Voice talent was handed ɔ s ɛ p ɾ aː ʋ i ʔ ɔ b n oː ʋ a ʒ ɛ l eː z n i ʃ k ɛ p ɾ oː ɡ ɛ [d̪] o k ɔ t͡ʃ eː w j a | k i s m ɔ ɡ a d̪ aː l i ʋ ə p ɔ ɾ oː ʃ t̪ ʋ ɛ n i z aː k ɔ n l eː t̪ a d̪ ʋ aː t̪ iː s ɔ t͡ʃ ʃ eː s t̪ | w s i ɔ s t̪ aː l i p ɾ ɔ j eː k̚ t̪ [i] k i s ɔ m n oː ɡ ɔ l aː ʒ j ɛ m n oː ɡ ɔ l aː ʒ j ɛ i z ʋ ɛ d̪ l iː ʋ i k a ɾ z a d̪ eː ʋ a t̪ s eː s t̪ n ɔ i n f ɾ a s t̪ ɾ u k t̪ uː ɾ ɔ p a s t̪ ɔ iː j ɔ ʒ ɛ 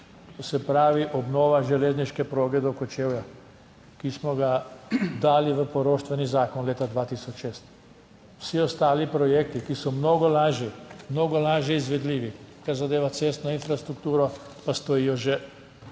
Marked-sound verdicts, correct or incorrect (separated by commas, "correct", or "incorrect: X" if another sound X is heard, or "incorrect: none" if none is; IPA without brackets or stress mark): correct, correct